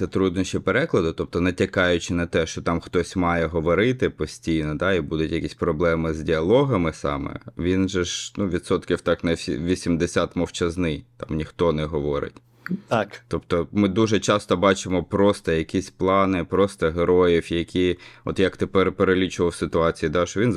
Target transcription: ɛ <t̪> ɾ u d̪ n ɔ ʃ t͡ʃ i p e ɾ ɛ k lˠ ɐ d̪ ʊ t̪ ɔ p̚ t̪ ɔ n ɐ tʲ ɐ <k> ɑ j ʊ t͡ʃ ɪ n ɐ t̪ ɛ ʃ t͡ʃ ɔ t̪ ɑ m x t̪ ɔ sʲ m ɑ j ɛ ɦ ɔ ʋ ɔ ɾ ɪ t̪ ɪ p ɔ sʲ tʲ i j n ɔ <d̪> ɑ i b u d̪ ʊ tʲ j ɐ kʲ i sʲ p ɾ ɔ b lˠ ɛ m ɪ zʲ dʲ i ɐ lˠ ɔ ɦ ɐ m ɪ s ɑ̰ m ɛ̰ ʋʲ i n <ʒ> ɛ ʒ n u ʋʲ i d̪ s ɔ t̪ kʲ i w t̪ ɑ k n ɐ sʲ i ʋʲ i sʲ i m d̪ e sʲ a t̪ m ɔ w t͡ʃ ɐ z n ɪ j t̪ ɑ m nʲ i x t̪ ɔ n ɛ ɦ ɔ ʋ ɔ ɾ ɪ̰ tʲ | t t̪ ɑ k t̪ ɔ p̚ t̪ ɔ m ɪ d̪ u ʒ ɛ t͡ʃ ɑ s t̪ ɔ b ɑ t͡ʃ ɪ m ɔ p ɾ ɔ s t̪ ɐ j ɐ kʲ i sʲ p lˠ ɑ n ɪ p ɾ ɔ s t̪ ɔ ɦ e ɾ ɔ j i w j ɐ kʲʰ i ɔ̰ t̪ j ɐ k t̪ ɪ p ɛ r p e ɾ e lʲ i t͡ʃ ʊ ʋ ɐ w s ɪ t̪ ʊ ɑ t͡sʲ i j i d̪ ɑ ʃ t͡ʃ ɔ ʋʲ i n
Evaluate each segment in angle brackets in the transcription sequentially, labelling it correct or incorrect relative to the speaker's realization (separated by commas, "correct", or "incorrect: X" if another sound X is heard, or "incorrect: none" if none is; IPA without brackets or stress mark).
correct, correct, correct, correct